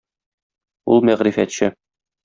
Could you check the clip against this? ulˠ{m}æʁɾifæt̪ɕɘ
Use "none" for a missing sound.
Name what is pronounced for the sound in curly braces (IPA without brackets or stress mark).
m